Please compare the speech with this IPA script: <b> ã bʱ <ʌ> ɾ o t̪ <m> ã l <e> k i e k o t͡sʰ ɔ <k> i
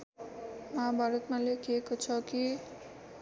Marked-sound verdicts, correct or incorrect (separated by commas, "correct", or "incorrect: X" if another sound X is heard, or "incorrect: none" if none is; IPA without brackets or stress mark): incorrect: m, incorrect: a, correct, correct, correct